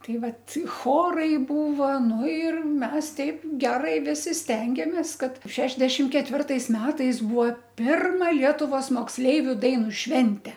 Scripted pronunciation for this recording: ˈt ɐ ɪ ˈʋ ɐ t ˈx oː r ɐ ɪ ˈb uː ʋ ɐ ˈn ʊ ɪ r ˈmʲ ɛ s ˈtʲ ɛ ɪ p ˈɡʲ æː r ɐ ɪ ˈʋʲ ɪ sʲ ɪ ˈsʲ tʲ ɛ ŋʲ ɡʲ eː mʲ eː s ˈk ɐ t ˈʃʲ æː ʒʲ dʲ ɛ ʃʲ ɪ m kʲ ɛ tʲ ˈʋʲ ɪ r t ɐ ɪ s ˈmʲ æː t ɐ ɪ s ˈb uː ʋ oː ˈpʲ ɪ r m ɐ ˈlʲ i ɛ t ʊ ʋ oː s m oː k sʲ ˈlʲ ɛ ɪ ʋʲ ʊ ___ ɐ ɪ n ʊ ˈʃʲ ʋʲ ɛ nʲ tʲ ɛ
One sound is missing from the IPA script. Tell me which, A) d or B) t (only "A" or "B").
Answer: A